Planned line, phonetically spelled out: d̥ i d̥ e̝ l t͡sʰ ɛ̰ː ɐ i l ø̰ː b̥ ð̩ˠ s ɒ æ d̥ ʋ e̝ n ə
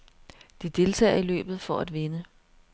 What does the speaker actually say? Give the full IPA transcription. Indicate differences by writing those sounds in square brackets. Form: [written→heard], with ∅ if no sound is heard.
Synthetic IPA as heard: d̥ i d̥ e̝ l t͡sʰ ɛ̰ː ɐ i l ø̰ː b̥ ð̩ˠ [s→f] ɒ æ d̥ ʋ e̝ n ə

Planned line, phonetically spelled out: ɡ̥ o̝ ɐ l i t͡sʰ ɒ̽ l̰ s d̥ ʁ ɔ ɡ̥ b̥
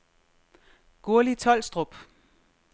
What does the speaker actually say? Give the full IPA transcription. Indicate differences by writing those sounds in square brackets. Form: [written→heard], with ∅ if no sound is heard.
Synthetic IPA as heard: ɡ̥ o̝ ɐ l i t͡sʰ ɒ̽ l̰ s d̥ ʁ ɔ [ɡ̥→∅] b̥

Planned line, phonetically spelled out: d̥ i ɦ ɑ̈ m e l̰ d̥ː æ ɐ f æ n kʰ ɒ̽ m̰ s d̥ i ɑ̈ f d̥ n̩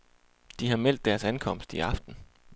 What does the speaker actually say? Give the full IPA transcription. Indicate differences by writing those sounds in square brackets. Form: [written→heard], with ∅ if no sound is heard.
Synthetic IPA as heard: d̥ i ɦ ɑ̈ m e l̰ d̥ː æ ɐ [f→s] æ n kʰ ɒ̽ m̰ s d̥ i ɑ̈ f d̥ n̩

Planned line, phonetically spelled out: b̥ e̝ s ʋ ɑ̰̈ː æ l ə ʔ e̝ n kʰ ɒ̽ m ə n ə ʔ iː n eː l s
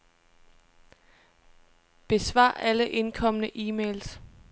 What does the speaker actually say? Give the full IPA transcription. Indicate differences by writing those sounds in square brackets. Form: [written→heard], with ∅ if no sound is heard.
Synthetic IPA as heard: b̥ e̝ s ʋ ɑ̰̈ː æ l ə ʔ e̝ n kʰ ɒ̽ m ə n ə ʔ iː [n→m] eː l s

